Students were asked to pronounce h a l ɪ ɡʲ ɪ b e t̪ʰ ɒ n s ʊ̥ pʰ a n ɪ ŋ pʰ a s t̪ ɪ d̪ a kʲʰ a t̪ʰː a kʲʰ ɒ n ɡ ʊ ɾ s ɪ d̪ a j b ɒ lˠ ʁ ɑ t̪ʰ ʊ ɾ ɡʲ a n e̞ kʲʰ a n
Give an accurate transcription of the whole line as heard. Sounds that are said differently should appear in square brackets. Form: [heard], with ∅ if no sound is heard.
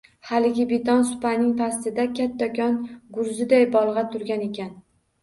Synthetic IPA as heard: h a l ɪ ɡʲ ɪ b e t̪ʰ ɒ n s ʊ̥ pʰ a n ɪ ŋ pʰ a s t̪ ɪ d̪ a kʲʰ a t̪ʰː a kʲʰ ɒ n ɡ ʊ ɾ [z] ɪ d̪ a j b ɒ lˠ ʁ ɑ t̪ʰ ʊ ɾ ɡʲ a n e̞ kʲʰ a n